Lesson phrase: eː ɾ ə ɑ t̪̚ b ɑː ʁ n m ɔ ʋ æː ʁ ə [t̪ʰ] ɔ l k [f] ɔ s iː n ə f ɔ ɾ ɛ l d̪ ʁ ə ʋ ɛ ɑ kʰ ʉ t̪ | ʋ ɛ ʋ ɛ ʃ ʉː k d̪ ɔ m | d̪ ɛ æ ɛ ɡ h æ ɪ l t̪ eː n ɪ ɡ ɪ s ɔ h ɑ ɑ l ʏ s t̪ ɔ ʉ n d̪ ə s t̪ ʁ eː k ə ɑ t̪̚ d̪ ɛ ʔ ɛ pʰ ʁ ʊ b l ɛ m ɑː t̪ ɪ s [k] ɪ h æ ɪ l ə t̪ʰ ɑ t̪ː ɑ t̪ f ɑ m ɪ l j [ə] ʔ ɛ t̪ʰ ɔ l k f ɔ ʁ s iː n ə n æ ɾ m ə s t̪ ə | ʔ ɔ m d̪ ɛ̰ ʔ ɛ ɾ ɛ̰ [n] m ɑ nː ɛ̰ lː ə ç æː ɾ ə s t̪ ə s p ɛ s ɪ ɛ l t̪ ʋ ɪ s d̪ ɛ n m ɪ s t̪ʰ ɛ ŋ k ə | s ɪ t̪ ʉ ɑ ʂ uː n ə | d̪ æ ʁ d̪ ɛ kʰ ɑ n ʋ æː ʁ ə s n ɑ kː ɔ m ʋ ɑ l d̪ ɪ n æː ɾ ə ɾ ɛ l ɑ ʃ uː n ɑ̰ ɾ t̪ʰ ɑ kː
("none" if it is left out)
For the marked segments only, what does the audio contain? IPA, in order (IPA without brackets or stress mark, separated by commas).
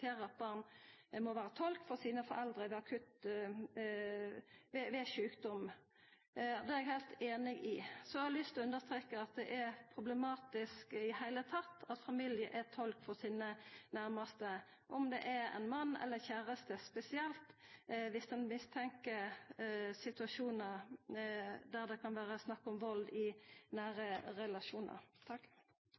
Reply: t̪ʰ, f, k, ə, n